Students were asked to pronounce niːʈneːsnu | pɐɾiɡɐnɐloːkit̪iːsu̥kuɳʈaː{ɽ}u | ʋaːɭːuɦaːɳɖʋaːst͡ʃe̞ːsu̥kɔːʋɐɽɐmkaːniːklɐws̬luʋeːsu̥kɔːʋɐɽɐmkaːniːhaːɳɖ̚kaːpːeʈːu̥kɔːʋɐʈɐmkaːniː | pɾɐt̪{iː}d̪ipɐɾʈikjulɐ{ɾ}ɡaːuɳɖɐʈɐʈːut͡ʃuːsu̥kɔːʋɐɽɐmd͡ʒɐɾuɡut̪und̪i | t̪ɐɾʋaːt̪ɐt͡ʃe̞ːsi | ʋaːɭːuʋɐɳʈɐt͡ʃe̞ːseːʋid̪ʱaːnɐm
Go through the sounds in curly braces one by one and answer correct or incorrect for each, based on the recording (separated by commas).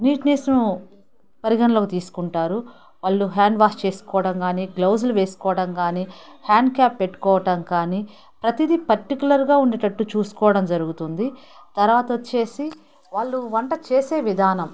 incorrect, incorrect, correct